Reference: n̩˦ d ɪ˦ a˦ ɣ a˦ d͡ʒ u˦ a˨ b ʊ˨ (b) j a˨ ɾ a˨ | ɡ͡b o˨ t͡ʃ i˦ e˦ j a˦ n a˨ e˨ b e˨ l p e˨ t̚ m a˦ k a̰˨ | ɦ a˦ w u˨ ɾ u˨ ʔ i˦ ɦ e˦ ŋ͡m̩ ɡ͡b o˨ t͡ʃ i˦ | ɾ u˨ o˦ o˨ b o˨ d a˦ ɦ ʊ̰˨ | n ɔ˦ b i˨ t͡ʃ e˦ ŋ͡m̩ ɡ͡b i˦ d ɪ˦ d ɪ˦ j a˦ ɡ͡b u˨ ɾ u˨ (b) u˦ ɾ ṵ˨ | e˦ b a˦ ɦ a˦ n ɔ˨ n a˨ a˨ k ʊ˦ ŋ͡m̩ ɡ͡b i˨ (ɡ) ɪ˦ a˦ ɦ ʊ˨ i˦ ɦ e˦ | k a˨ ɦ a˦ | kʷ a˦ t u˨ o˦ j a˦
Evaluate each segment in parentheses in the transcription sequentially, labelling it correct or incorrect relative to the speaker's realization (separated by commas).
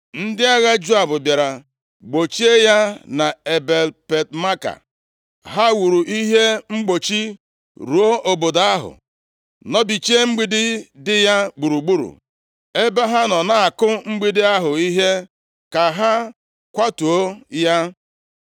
correct, incorrect, incorrect